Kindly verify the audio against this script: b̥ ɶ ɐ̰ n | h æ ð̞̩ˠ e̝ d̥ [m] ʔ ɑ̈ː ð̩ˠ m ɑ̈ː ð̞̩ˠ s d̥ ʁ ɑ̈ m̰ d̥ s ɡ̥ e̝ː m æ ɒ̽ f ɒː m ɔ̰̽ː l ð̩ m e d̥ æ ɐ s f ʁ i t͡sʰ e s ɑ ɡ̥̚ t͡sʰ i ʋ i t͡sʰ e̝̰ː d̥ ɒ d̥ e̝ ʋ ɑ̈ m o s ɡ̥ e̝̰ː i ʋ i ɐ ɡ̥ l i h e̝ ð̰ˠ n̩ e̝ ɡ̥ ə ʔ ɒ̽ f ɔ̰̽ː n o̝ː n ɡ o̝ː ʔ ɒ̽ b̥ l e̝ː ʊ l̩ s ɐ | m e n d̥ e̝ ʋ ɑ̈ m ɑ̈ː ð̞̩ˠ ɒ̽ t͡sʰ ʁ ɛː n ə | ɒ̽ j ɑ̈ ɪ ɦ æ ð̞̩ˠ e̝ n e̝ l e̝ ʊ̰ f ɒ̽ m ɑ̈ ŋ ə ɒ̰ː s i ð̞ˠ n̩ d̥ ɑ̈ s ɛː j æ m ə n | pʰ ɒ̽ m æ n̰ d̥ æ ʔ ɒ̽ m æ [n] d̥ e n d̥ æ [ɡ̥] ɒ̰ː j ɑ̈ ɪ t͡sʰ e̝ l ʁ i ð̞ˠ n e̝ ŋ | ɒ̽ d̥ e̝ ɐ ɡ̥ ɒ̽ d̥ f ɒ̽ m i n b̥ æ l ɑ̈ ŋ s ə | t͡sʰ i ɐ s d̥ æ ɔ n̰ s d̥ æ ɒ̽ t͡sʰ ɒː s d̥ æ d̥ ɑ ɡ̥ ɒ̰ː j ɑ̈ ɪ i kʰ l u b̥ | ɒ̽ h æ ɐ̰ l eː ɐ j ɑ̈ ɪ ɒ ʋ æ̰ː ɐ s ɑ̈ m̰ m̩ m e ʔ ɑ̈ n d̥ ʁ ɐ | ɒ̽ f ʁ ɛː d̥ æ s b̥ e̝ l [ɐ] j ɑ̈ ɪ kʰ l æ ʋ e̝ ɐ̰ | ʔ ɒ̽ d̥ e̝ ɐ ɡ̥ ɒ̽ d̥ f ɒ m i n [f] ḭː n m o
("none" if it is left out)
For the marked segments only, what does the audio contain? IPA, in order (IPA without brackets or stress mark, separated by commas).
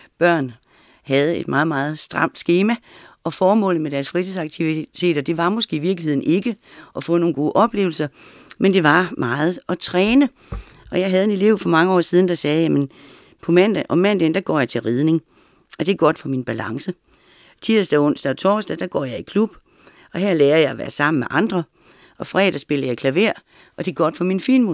m, n, ɡ̥, ɐ, f